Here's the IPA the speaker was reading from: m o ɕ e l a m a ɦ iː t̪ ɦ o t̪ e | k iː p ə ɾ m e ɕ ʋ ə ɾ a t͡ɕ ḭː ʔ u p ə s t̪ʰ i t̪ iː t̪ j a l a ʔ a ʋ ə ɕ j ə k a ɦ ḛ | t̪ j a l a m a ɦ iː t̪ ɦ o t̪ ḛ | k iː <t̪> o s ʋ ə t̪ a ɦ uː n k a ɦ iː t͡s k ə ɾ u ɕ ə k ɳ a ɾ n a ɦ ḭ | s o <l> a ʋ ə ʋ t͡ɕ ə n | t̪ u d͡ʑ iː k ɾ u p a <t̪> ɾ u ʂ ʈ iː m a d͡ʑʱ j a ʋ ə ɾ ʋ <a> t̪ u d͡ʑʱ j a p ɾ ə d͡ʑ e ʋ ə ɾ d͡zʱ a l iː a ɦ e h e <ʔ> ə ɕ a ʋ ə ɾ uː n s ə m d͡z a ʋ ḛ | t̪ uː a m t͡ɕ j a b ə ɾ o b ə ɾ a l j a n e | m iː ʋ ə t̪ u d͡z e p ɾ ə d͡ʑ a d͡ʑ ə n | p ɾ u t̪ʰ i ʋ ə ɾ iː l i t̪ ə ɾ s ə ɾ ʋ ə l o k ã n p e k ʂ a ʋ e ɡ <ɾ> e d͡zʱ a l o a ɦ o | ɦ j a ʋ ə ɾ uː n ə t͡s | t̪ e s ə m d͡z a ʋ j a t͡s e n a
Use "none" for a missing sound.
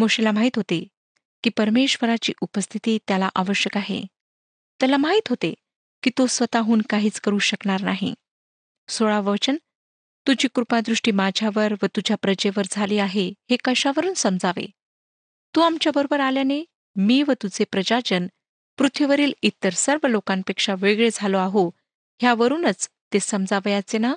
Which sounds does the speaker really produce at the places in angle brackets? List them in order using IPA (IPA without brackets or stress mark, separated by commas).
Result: t̪, ɭ, d̪, ə, k, ɭ